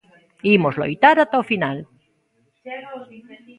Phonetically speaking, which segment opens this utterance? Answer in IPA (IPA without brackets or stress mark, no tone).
i